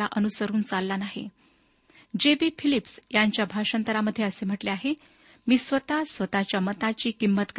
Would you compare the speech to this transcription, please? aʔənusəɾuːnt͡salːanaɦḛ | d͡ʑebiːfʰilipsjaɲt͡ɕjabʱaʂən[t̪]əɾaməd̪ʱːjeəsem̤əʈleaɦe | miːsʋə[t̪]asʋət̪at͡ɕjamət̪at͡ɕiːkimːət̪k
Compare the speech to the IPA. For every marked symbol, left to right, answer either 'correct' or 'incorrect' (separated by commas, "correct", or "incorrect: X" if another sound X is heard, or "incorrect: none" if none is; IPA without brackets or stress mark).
correct, correct